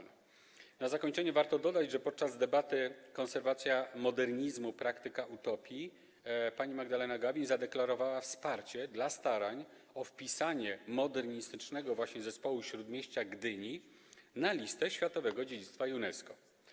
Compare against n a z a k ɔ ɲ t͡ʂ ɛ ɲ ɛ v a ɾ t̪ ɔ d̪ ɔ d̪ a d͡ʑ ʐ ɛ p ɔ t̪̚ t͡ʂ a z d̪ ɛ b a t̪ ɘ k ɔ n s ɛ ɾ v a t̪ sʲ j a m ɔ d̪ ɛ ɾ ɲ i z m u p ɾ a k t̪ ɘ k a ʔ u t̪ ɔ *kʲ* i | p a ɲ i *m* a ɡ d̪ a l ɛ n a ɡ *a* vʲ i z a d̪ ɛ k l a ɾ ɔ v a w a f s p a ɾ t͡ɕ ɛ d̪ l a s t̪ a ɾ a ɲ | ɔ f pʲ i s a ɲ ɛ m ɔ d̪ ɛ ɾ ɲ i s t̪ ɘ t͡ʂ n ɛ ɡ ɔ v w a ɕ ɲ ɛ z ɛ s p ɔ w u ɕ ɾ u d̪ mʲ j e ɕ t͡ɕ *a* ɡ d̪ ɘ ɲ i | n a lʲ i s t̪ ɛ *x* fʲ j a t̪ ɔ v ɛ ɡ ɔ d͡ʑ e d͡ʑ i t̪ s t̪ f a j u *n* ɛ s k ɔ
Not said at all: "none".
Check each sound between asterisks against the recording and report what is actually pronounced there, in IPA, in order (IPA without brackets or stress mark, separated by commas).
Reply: pʲ, m, a, a, ɕ, n